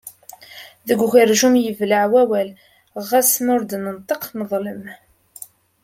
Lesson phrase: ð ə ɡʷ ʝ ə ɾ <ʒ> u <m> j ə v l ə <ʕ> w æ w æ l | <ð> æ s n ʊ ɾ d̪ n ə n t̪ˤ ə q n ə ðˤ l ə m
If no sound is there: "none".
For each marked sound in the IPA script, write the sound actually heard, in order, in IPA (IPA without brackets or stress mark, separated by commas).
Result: ʒ, m, ʕ, ʁ